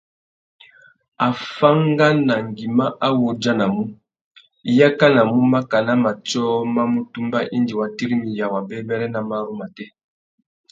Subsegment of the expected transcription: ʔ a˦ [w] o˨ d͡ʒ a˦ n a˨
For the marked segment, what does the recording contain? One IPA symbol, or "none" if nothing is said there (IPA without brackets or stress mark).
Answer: w